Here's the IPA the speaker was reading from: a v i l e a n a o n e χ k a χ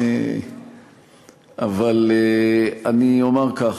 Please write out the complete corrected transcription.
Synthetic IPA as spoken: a v a l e a n i o m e ʁ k a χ

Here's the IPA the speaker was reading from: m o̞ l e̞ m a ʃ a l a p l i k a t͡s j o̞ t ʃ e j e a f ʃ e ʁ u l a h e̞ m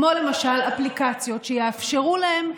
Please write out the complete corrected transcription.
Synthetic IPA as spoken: m o̞ l e̞ m a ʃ a l a p l i k a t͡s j o̞ t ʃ e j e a f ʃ e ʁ u l a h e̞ m

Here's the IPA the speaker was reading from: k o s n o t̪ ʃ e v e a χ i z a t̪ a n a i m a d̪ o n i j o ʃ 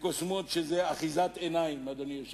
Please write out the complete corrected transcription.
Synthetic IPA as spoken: k o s m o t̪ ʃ e z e a χ i z a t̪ e n a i m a d̪ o n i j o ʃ

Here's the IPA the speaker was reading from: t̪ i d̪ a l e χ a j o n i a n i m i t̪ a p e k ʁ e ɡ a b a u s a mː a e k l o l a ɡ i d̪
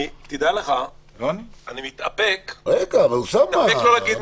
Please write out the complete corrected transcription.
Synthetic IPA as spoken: t̪ i d̪ a l e χ a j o n i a n i m i t̪ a p e k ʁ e ɡ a v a u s a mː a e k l o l a ɡ i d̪

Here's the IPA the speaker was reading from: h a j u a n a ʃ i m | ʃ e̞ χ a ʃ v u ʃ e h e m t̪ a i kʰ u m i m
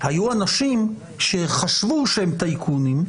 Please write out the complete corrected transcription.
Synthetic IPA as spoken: h a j u a n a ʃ i m | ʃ e̞ χ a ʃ v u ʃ e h e m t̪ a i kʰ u n i m

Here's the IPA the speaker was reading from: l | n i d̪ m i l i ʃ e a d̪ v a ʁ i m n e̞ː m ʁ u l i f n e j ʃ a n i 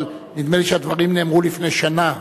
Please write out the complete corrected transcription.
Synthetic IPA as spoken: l | n i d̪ m e l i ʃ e a d̪ v a ʁ i m n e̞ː m ʁ u l i f n e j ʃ a n a

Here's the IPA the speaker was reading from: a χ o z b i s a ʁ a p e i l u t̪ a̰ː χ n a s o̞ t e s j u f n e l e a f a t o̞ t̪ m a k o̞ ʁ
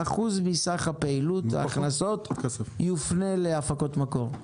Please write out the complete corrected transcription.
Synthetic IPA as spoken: a χ u z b i s a χ a p e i l u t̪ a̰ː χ n a s o̞ t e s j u f n e l e a f a k o̞ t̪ m a k o̞ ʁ

